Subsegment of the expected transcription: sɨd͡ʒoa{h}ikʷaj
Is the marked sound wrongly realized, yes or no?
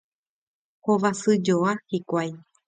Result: no